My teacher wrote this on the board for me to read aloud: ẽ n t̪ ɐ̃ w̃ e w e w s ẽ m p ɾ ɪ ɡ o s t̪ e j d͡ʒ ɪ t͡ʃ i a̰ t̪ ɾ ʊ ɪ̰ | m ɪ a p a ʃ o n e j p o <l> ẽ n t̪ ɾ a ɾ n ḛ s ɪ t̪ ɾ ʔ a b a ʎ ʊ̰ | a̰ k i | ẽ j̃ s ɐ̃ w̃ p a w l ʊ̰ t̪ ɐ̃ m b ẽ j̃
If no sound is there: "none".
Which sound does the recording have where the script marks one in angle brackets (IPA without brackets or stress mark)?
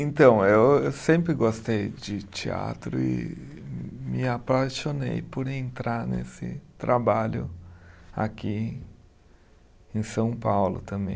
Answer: ɾ